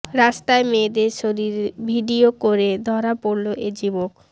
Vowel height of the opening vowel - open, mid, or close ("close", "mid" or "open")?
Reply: open